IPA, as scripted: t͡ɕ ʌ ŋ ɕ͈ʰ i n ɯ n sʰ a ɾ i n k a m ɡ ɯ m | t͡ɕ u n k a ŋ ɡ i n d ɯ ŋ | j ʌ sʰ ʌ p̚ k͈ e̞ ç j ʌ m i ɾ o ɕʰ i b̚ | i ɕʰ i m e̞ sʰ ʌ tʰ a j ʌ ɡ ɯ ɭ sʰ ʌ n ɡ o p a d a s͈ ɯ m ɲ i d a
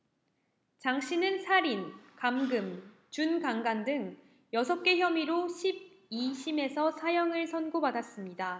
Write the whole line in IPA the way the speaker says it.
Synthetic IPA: t͡ɕ a ŋ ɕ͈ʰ i n ɯ n sʰ a ɾ i n k a m ɡ ɯ m | t͡ɕ u n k a ŋ ɡ a n d ɯ ŋ | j ʌ sʰ ʌ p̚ k͈ e̞ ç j ʌ m i ɾ o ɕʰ i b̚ | i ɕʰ i m e̞ sʰ ʌ sʰ a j ʌ ŋ ɯ ɭ sʰ ʌ n ɡ o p a d a s͈ ɯ m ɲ i d a